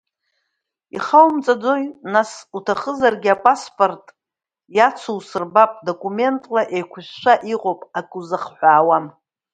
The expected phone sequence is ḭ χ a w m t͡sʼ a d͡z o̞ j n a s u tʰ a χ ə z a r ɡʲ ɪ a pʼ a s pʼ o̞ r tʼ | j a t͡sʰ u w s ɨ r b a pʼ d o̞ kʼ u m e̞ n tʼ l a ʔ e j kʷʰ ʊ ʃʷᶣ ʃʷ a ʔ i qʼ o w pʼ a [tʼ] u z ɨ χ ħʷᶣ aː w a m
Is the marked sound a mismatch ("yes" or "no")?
yes